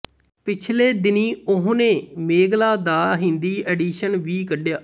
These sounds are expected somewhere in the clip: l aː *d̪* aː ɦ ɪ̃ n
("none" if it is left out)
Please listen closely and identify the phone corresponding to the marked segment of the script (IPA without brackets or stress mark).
d̪